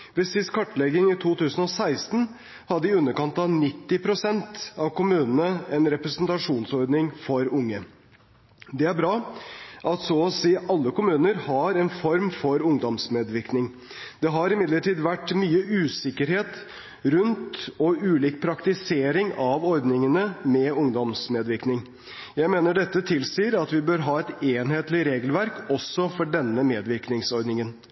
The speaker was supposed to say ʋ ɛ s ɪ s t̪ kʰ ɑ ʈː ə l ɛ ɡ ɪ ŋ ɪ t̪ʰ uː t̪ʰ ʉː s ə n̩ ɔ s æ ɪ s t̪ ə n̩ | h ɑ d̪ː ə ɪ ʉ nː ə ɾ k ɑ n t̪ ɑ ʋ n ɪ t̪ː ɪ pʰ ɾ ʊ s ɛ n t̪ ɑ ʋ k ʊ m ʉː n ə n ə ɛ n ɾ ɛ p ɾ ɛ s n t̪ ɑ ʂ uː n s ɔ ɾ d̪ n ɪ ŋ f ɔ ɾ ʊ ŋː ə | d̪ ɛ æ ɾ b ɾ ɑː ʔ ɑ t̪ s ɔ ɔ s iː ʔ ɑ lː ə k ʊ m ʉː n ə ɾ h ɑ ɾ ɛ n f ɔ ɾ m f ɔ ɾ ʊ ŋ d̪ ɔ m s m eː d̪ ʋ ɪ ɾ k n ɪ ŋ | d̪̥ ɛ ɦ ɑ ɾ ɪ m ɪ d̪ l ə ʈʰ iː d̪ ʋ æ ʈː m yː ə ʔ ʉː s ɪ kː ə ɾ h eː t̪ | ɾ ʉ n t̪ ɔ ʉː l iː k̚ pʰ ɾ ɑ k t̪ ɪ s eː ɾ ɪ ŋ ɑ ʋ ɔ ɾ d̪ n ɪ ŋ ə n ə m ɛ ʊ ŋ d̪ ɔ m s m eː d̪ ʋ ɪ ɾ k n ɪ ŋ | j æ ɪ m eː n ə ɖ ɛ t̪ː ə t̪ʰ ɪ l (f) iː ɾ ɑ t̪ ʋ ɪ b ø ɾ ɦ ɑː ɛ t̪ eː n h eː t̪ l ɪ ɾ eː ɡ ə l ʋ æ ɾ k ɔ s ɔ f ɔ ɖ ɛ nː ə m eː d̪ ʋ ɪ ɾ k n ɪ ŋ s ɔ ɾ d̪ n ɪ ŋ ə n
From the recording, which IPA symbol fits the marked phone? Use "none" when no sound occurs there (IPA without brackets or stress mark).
s